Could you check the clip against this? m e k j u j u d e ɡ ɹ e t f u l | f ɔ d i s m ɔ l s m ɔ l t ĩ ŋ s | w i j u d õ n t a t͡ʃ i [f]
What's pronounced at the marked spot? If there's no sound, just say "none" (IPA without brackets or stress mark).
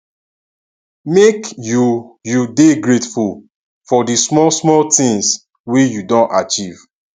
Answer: v